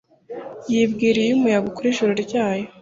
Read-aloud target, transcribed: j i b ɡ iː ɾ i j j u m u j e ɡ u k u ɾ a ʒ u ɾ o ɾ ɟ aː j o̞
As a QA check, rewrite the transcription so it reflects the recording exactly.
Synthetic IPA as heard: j i b ɡ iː ɾ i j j u m u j a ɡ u k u ɾ i ʒ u ɾ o ɾ ɟ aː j o̞

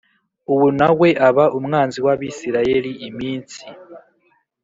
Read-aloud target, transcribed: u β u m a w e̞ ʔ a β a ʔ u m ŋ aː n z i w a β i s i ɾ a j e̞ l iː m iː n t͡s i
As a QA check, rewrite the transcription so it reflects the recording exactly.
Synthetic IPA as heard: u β u n a w e̞ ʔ a β a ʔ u m ŋ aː n z i w a β i s i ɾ a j e̞ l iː m iː n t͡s i

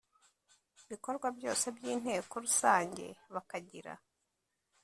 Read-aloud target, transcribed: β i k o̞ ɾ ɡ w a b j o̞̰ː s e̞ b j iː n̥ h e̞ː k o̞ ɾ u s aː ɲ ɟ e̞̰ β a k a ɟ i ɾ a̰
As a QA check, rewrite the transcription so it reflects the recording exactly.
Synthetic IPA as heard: β i k o̞ ɾ ɡ w a b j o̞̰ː s e̞ b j iː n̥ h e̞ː k o̞ ɾ u s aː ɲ ɟ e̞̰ β a k a ɟ i ɾ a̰

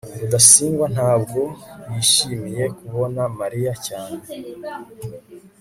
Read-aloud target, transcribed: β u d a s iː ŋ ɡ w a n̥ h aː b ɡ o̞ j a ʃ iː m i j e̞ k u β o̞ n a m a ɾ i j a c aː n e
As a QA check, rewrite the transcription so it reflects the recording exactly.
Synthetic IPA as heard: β u d a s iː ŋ ɡ w a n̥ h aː b ɡ o̞ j i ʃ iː m i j e̞ k u β o̞ n a m a ɾ i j a c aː n e

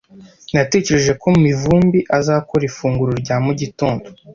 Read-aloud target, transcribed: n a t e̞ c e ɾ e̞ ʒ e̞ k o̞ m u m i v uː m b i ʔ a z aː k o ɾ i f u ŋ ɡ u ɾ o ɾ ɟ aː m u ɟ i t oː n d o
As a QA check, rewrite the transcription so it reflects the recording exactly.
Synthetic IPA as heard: n a t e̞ c e ɾ e̞ ʒ e̞ k o̞ m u m i v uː m b i ʔ a z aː k o ɾ i f uː ŋ ɡ u ɾ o ɾ ɟ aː m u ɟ i t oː n d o

